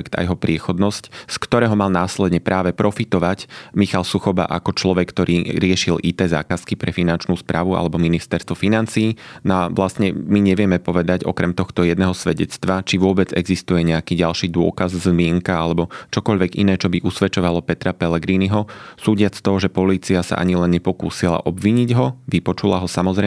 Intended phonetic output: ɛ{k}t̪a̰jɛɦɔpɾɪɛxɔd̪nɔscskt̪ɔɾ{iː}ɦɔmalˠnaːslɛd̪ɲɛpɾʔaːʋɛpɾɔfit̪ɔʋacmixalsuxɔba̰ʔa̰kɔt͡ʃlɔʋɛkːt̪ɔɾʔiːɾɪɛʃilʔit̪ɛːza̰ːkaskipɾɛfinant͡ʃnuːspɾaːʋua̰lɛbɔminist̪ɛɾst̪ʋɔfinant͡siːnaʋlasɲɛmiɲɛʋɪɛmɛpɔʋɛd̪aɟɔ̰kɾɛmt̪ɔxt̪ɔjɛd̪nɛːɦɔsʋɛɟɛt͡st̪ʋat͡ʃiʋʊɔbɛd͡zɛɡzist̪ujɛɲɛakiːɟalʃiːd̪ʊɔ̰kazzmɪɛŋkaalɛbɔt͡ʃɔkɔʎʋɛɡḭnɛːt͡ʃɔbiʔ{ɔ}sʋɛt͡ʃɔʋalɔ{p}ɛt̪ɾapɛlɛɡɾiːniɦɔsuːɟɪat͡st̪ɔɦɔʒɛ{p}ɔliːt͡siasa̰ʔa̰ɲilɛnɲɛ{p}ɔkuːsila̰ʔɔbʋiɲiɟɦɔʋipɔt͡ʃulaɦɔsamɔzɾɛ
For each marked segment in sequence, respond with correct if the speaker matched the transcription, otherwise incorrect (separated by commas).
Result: correct, incorrect, incorrect, correct, correct, correct